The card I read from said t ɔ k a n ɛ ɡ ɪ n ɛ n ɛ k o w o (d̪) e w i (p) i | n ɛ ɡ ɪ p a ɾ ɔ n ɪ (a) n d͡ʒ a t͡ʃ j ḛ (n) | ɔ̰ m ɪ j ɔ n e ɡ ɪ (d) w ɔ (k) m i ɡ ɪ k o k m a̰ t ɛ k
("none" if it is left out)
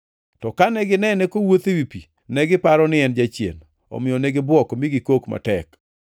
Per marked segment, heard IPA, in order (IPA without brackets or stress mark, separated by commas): t̪, p, ɛ, n, b, k